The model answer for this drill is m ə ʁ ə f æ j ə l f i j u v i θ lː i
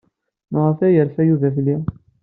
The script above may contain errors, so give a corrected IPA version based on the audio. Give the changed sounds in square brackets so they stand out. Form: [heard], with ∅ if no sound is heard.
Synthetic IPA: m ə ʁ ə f æ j ə [ɾ] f [æ] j u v [æ] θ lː i